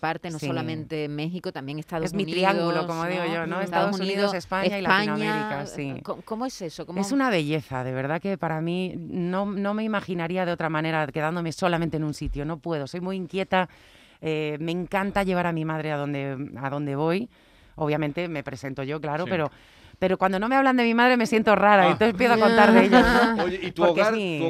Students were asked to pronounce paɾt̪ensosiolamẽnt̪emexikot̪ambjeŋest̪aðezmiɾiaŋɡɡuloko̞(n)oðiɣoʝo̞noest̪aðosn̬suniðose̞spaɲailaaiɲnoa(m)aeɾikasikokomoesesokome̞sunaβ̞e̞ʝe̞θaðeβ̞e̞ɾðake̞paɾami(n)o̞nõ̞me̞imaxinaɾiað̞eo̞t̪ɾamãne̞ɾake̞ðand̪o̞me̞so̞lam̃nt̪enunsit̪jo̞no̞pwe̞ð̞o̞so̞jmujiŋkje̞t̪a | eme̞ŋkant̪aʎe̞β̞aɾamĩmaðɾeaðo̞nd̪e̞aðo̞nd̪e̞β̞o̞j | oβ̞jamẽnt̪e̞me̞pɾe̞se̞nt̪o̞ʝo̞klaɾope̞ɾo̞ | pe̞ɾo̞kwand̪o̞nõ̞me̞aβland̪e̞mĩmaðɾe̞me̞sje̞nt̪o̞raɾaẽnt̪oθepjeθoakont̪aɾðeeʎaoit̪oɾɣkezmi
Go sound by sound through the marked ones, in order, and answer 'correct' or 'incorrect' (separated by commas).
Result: incorrect, correct, correct